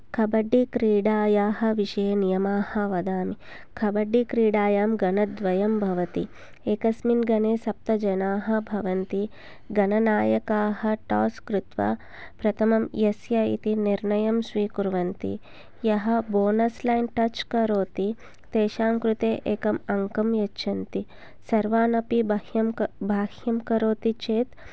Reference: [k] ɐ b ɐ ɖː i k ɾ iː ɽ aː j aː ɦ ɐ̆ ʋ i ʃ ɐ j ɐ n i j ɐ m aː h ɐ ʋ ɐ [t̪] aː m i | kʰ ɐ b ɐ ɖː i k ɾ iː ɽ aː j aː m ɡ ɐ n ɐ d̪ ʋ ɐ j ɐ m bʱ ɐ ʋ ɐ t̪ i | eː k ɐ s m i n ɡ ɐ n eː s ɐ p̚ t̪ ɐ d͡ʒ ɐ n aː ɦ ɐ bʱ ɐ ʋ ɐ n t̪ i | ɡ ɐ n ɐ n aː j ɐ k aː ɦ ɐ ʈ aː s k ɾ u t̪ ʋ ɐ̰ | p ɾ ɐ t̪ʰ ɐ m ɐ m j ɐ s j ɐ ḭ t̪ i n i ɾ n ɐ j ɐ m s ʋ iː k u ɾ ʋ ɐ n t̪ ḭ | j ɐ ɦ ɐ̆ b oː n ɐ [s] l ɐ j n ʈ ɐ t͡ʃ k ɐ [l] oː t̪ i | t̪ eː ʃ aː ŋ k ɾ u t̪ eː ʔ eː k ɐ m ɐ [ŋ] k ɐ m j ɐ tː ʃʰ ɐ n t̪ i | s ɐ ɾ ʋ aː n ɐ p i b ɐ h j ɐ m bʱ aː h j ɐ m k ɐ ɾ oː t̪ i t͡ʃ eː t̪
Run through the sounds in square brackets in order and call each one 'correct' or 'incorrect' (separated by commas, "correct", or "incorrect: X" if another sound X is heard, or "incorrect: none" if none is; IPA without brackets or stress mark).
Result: incorrect: kʰ, incorrect: d̪, correct, incorrect: ɾ, correct